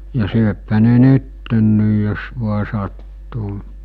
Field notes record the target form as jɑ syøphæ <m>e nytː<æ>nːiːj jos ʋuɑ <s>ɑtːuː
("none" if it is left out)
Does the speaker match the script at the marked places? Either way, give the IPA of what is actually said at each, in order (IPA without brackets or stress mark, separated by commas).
n, e, s